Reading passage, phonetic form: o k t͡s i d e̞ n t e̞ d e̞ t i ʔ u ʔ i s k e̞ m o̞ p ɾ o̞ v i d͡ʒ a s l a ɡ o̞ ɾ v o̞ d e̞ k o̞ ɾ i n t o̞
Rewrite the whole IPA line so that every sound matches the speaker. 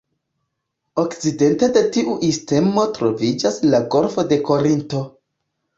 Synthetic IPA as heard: o k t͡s i d e̞ n t e̞ d e̞ t i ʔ u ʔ i s t e̞ m o̞ t ɾ o̞ v i d͡ʒ a s l a ɡ o̞ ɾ f o̞ d e̞ k o̞ ɾ i n t o̞